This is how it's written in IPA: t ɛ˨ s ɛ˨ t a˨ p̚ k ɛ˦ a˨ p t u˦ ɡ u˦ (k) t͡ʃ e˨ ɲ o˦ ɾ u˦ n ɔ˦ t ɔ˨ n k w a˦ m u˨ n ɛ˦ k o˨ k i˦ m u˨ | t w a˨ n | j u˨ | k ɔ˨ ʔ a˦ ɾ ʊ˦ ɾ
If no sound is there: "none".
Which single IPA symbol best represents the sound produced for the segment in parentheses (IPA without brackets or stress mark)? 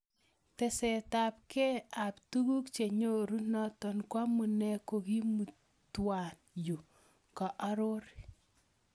k